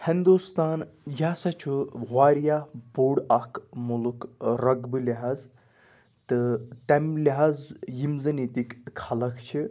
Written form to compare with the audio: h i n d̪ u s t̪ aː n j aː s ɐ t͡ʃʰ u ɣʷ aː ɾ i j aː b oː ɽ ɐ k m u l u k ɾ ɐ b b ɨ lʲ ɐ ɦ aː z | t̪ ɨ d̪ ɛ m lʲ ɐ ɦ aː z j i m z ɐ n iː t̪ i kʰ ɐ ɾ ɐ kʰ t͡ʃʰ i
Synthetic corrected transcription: h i n d̪ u s t̪ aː n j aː s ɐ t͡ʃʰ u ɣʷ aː ɾ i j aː b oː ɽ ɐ k m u l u k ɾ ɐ ɡ b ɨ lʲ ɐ ɦ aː z | t̪ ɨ t̪ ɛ m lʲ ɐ ɦ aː z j i m z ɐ n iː t̪ i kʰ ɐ l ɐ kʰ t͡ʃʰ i